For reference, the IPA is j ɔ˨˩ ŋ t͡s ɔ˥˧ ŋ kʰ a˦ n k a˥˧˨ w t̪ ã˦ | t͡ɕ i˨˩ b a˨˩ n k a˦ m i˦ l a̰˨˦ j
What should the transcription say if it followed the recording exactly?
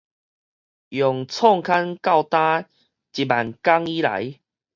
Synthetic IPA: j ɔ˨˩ ŋ t͡sʰ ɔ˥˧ ŋ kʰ a˦ n k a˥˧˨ w t̪ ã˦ | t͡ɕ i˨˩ b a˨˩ n k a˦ ŋ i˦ l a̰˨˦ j